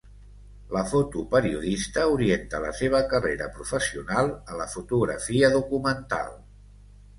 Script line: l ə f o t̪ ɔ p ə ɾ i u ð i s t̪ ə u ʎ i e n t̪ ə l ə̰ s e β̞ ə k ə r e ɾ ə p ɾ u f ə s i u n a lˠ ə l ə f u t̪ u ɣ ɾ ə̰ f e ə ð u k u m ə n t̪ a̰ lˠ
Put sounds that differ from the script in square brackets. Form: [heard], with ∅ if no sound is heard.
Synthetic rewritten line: l ə f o t̪ [u] p ə ɾ i u ð i s t̪ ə u [ɾ] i e n t̪ ə l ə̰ s e β̞ ə k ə r e ɾ ə p ɾ u f ə s i u n a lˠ ə l ə f u t̪ u ɣ ɾ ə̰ f [i] ə ð u k u m ə n t̪ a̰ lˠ